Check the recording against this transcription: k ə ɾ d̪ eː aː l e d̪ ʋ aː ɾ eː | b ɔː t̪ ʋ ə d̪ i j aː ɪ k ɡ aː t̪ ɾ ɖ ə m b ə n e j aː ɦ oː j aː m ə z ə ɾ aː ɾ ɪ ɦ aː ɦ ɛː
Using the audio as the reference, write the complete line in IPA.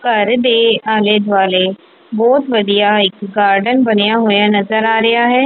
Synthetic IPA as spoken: k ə ɾ d̪ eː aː l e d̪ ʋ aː l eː | b ɔː t̪ ʋ ə d̪ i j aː ɪ k ɡ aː ɾ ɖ ə n b ə n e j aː ɦ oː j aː n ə z ə ɾ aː ɾ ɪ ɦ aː ɦ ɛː